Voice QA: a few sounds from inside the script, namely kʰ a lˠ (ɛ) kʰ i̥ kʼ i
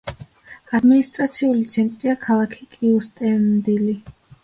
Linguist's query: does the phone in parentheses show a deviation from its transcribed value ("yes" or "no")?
yes